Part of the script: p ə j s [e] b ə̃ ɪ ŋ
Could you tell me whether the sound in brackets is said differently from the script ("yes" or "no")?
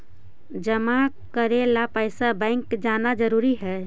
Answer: yes